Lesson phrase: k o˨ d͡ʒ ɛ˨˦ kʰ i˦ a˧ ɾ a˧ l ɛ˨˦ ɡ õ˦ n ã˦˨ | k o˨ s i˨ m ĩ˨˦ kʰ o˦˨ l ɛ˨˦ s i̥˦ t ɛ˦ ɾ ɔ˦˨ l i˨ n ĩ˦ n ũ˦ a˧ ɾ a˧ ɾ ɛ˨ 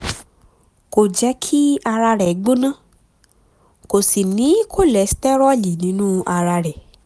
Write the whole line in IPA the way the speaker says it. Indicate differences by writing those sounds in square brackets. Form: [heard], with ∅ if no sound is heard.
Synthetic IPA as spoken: k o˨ d͡ʒ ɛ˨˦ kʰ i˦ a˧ ɾ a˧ [ɾ] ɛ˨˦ [ɡ͡b] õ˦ n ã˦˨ | k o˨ s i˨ [n] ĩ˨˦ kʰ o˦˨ l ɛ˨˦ s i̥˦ t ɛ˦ ɾ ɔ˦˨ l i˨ n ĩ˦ n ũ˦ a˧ ɾ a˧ ɾ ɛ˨

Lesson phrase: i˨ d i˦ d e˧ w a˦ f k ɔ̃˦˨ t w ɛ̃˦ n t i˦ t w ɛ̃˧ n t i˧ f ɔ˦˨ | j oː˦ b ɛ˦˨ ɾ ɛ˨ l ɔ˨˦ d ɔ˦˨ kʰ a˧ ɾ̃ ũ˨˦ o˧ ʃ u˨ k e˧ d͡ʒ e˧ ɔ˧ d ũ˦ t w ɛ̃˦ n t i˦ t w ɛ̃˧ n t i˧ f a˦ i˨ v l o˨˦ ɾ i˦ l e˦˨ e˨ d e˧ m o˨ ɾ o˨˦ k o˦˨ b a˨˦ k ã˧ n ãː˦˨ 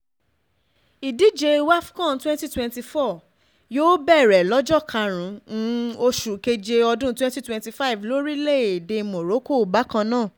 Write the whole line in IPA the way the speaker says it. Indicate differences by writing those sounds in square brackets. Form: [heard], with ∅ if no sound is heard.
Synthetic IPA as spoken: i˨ d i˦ [d͡ʒ] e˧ w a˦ f k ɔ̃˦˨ t w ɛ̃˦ n t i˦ t w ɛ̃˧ n t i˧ f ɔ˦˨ | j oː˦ b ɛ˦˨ ɾ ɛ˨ l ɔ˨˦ [d͡ʒ] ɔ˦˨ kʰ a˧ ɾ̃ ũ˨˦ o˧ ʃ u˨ k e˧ d͡ʒ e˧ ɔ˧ d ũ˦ t w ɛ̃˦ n t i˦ t w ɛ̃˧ n t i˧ f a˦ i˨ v l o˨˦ ɾ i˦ l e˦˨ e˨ d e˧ m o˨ ɾ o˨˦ k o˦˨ b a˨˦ k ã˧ n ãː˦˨

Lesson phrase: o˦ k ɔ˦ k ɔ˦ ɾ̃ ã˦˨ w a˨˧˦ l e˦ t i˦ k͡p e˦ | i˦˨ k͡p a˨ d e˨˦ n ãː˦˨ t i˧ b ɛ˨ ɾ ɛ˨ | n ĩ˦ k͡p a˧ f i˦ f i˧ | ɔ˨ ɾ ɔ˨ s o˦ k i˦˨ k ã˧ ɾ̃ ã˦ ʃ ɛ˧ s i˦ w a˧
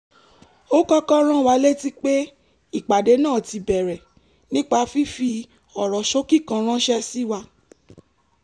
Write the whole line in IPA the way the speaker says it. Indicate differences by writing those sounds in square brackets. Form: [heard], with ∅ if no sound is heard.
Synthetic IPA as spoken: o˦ k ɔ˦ k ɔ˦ ɾ̃ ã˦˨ w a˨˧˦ l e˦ t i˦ k͡p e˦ | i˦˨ k͡p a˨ d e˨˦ n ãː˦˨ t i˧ b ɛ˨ ɾ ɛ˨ | n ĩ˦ k͡p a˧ f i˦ f i˧ | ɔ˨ ɾ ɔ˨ [ʃ] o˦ k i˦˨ k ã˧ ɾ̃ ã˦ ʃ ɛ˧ s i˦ w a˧

